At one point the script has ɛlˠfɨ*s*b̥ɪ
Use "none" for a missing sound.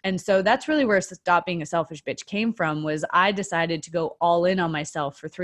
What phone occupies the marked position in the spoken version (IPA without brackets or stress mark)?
ʃ